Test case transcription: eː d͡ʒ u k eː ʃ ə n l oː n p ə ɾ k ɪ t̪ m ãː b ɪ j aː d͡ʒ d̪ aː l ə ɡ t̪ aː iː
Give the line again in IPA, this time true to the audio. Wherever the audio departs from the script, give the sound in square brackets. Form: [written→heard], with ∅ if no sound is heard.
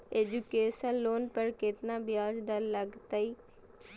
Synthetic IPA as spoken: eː d͡ʒ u k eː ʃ ə n l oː n p ə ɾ k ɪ t̪ [m→n] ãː b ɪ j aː d͡ʒ d̪ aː l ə ɡ t̪ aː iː